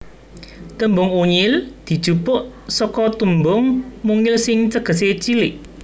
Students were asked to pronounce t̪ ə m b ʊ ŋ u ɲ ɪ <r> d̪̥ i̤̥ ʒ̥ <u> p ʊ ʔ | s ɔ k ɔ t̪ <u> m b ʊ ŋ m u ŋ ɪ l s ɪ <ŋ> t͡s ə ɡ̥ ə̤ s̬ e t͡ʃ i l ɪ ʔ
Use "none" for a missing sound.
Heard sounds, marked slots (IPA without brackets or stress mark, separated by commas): l, u, u, ŋ